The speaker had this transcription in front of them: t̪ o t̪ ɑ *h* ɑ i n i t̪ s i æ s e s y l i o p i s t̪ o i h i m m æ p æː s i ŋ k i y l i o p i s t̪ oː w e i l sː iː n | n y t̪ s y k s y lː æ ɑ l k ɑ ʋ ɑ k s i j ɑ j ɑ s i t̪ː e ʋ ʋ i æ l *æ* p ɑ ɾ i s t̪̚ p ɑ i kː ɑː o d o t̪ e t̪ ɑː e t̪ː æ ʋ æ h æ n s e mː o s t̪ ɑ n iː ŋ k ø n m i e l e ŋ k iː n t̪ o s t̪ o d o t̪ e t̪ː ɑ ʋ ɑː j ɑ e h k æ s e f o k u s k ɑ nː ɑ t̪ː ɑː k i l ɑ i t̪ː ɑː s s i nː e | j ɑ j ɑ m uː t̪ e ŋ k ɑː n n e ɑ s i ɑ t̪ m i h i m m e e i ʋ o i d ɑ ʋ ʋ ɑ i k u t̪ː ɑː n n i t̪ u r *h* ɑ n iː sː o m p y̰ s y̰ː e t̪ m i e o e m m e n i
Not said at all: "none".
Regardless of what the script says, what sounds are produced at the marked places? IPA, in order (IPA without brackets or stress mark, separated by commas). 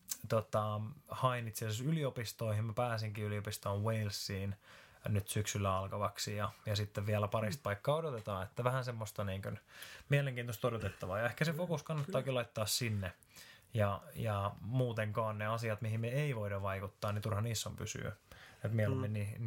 h, æ, h